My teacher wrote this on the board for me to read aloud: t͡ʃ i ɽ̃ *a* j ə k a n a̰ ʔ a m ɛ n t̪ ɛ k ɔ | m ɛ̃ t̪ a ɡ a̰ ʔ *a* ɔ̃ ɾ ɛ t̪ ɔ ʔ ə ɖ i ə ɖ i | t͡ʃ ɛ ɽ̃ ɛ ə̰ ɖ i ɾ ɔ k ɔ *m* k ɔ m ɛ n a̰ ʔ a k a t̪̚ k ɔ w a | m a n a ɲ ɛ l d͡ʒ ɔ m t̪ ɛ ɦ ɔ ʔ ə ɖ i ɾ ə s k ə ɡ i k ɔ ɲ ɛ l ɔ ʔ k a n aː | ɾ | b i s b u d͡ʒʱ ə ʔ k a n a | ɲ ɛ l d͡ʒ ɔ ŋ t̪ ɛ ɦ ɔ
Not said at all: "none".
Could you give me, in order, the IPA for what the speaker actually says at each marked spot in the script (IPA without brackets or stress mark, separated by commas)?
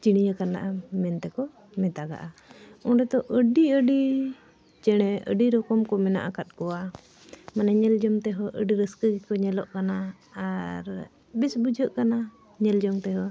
i, a, m